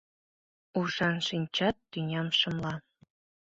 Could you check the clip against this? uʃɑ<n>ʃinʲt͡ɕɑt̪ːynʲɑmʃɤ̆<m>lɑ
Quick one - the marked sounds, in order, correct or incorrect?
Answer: correct, correct

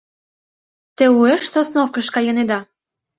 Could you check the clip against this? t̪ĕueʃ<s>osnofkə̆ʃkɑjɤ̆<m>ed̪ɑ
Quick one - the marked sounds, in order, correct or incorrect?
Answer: correct, incorrect

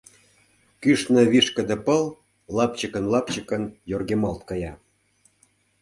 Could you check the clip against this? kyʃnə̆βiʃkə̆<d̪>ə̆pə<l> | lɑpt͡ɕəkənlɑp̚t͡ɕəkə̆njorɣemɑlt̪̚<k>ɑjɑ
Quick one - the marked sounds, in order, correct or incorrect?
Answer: correct, correct, correct

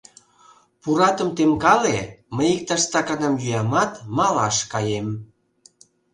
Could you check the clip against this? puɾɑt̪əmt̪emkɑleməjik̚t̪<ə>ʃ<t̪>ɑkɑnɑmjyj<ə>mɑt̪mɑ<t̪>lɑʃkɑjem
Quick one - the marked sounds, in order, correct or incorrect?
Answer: incorrect, correct, incorrect, incorrect

